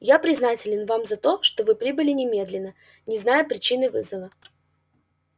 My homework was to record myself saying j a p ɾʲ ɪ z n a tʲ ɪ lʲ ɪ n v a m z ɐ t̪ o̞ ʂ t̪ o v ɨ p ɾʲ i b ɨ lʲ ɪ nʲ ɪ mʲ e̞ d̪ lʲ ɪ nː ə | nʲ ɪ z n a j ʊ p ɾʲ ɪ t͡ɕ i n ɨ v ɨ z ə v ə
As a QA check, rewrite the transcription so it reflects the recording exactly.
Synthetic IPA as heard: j a p ɾʲ ɪ z n a tʲ ɪ lʲ ɪ n v a m z ɐ t̪ o̞ ʂ t̪ o v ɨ p ɾʲ i b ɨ lʲ ɪ nʲ ɪ mʲ e̞ d̪ lʲ ɪ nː ə | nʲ ɪ z n a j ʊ p ɾʲ ɪ t͡ɕ i n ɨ v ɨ z ə v ə